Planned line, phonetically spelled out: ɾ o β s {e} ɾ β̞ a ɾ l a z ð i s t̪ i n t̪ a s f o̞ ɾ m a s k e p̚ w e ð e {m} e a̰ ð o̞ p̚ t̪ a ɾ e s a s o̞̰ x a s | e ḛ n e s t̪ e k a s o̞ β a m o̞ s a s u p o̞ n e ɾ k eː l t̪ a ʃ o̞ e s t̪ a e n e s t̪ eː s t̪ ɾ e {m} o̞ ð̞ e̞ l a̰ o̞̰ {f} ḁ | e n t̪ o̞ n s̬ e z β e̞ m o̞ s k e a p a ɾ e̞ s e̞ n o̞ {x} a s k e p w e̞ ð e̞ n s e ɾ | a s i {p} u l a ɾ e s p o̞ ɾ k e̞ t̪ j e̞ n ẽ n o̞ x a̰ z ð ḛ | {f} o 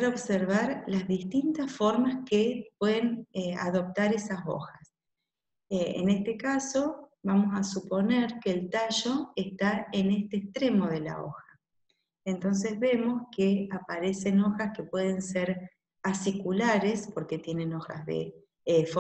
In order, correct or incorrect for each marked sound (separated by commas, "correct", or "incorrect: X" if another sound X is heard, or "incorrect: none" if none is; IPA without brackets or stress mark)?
correct, incorrect: n, correct, incorrect: x, correct, incorrect: k, correct